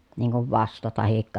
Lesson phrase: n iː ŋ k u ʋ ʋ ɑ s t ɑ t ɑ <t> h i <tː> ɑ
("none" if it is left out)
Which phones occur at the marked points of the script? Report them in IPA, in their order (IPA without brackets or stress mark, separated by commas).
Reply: none, kː